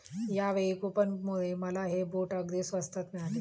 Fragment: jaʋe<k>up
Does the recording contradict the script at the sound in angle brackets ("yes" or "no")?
no